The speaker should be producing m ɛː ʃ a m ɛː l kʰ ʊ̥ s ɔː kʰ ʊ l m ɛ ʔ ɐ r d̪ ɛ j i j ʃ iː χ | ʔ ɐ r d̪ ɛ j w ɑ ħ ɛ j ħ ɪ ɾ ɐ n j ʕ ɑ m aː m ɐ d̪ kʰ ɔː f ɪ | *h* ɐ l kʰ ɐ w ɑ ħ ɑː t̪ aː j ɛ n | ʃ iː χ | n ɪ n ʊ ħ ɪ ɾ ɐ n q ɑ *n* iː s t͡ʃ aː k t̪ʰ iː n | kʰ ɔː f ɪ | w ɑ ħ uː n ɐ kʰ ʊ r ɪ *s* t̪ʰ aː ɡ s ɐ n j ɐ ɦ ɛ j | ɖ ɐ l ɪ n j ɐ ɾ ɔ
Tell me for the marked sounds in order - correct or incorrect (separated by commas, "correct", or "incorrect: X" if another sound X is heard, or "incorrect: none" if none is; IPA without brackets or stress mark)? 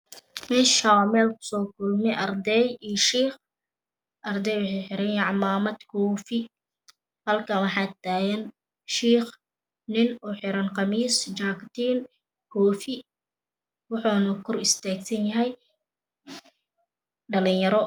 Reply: correct, incorrect: m, correct